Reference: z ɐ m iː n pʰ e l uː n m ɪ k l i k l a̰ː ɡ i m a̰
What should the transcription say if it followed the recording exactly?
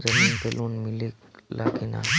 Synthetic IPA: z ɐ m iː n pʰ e l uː n m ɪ l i k l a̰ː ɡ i n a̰